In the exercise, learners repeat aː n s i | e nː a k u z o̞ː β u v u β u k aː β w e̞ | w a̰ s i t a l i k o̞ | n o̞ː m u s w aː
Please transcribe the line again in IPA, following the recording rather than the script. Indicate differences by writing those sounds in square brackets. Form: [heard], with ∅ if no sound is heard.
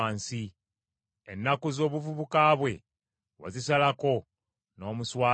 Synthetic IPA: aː n s i | e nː a k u z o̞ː β u v u β u k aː β w e̞ | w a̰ [z] i [s] a l [a] k o̞ | n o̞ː m u s w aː